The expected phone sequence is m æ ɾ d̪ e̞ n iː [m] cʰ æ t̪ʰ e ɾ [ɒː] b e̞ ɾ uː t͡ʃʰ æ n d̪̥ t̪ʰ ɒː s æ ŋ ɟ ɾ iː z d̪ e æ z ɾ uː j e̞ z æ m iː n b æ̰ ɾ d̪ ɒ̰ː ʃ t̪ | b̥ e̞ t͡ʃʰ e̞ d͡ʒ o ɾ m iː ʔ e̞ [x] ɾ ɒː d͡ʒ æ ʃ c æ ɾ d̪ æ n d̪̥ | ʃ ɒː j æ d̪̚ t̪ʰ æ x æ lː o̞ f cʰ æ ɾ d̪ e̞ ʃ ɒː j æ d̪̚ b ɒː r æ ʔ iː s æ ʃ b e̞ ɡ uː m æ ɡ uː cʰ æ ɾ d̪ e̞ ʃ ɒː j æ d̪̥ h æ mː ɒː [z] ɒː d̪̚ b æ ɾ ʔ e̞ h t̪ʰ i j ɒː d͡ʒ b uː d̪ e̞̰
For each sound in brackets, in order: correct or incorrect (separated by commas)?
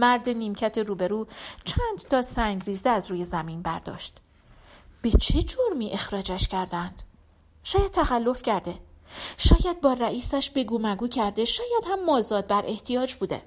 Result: correct, incorrect, correct, correct